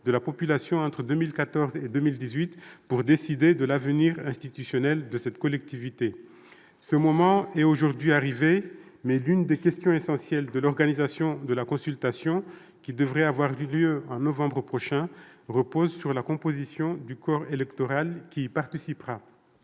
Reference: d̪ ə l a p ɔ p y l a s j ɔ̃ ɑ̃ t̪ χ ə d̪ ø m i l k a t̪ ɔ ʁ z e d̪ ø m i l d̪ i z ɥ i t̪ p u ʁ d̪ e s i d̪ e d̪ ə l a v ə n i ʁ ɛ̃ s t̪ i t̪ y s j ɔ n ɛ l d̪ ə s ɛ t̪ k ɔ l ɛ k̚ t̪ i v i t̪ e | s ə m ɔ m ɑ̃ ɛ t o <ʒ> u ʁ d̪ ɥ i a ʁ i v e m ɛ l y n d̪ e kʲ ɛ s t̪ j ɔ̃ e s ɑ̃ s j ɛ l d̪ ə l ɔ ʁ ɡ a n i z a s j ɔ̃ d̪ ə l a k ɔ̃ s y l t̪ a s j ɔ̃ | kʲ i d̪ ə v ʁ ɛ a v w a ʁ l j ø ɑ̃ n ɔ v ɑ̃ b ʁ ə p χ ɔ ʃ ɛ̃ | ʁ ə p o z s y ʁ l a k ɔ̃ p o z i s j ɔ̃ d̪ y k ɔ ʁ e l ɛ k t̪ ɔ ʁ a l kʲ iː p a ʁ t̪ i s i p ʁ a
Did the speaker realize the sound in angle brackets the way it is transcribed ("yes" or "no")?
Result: yes